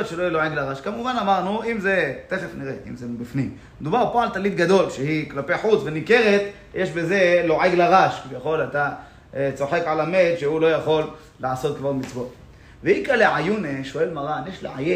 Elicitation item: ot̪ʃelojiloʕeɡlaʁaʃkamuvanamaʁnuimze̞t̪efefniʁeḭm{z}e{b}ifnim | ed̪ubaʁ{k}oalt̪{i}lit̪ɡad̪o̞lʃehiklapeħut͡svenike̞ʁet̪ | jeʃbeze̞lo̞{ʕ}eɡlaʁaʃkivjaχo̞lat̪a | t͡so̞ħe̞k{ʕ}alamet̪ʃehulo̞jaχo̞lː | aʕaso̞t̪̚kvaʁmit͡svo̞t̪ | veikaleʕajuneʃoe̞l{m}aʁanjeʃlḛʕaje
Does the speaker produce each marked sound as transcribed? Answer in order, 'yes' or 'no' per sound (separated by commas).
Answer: yes, yes, no, no, yes, yes, yes